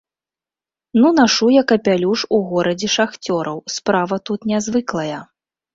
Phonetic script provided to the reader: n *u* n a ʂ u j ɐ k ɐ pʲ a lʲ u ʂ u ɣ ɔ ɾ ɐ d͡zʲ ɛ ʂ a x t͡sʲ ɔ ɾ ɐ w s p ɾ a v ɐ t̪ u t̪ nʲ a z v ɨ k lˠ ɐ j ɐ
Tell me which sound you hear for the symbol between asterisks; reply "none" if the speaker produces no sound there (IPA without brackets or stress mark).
u